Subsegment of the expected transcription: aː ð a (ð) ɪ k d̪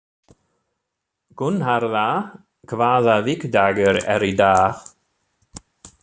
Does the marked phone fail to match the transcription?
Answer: yes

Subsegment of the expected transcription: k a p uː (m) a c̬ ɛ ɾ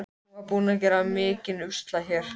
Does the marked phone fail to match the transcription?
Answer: yes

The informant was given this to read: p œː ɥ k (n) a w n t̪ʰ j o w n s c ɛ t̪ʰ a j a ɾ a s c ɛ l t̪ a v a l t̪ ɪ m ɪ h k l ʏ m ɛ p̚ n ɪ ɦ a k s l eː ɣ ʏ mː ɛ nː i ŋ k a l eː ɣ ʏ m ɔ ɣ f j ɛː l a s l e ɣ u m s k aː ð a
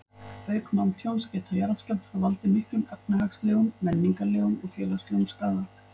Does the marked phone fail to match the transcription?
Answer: yes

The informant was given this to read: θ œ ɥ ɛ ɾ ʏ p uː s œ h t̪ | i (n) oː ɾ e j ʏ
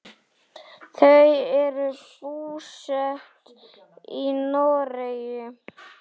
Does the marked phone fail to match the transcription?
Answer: no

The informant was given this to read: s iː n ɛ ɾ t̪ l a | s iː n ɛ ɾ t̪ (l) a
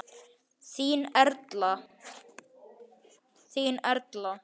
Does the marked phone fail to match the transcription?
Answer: no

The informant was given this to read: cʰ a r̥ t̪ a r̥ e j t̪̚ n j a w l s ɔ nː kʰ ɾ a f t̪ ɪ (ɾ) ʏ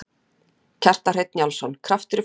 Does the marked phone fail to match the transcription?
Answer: no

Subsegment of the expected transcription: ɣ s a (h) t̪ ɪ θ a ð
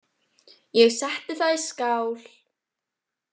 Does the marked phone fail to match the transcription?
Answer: no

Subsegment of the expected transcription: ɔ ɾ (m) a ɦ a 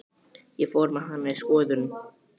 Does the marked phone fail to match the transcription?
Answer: no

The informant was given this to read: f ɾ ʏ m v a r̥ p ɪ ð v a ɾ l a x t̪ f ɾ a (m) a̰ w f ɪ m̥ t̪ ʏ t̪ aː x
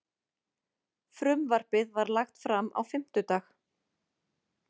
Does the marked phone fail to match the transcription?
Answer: no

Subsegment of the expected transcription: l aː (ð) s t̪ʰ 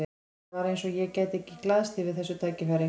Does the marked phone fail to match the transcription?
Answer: no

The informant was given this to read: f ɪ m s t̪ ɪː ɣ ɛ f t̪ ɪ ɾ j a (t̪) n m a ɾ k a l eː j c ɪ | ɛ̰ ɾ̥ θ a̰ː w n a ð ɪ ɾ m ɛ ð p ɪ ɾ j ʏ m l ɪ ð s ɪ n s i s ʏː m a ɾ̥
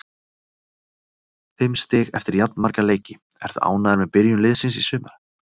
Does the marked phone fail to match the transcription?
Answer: no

